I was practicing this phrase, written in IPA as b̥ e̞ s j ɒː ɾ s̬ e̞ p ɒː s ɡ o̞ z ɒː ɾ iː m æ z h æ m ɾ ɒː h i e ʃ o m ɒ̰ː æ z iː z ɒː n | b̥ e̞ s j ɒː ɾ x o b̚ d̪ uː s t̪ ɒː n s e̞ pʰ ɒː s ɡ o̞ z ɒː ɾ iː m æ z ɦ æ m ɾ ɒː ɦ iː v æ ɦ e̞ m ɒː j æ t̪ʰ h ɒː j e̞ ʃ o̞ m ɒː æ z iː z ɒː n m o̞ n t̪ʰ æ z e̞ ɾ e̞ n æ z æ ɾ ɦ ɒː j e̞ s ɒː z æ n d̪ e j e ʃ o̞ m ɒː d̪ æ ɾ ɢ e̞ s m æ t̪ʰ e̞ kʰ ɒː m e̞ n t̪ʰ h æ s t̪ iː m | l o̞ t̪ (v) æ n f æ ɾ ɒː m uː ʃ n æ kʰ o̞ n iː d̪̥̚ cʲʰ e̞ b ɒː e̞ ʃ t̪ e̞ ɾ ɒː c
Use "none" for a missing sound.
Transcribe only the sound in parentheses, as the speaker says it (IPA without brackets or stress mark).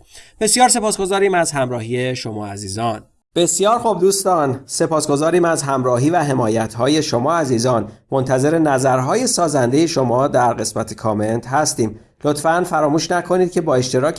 f